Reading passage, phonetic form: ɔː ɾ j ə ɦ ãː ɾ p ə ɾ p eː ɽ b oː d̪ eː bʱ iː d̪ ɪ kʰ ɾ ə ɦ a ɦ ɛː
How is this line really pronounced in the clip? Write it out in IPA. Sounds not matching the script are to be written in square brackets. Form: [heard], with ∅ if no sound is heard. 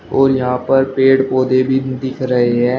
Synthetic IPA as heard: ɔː ɾ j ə ɦ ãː [∅] p ə ɾ p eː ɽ [p] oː d̪ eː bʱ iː d̪ ɪ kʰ ɾ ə ɦ [e] ɦ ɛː